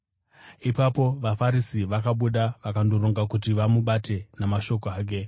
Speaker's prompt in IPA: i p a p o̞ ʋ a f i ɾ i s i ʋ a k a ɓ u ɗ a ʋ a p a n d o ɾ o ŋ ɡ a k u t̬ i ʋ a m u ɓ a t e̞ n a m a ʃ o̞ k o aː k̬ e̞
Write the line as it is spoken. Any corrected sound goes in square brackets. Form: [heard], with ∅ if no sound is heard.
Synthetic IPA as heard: i p a p o̞ ʋ a f [a] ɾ i s i ʋ a k a ɓ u ɗ a ʋ a [k] a n d o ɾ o ŋ ɡ a k u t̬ i ʋ a m u ɓ a t e̞ n a m a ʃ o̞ k o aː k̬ e̞